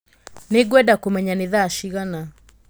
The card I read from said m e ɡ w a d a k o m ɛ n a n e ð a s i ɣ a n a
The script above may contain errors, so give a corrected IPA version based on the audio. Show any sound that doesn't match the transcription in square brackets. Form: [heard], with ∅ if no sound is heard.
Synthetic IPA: [n] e ɡ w [ɛ] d a k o m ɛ [ɲ] a n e ð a [ʃ] i ɣ a n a